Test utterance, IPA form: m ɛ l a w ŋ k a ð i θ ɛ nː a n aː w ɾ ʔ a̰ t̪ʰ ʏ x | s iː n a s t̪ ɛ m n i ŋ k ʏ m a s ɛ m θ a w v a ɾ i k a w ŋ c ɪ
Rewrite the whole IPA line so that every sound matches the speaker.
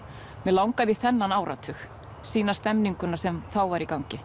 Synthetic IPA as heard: m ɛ l a w ŋ k a ð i θ ɛ nː a n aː w ɾ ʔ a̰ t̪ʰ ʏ x | s iː n a s t̪ ɛ m n i ŋ k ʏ n a s ɛ m θ a w v a ɾ i k a w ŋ c ɪ